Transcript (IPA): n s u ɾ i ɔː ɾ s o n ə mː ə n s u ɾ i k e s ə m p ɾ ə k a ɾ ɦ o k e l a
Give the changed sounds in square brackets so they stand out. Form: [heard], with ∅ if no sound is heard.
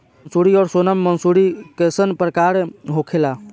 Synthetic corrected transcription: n s u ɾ i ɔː ɾ s o n ə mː ə n s u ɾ i k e s ə [n] p ɾ ə k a ɾ ɦ o [kʰ] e l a